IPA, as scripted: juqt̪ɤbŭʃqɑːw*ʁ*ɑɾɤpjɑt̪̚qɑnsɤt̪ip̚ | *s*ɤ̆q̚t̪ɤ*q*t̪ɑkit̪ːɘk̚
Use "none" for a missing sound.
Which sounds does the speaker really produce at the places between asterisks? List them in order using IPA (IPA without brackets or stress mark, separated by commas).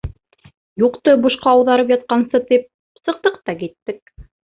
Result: ð, s, q